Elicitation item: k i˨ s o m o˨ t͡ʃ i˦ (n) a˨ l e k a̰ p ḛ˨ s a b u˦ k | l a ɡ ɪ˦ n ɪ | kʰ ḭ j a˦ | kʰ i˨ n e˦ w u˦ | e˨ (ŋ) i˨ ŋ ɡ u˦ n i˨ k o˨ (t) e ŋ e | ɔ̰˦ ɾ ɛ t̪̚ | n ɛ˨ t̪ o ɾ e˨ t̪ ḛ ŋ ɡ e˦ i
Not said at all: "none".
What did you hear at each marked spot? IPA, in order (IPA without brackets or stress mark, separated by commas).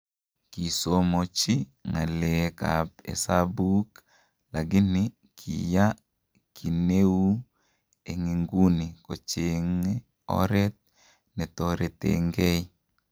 ŋ, ŋ, t͡ʃ